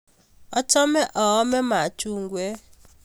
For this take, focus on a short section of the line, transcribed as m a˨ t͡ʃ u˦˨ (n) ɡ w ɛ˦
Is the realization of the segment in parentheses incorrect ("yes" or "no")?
yes